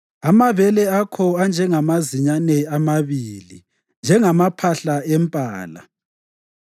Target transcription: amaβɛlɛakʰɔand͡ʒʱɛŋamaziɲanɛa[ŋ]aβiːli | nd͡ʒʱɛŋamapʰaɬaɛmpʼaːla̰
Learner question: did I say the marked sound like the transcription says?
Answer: no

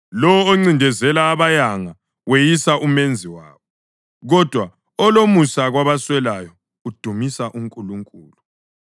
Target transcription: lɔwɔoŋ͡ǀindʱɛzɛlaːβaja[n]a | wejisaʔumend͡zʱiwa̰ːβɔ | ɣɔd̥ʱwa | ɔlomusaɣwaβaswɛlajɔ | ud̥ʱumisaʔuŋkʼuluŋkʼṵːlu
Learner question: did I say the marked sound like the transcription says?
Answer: no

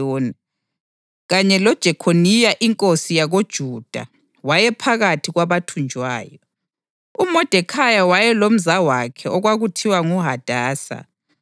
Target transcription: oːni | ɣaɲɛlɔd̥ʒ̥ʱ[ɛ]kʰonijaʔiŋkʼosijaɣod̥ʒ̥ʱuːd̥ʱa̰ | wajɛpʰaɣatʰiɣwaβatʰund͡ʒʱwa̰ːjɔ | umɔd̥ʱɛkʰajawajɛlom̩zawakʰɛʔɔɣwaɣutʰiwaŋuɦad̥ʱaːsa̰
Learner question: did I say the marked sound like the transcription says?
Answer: yes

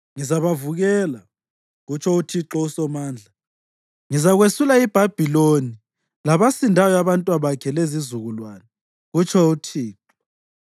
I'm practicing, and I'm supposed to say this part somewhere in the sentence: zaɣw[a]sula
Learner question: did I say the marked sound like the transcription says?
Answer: no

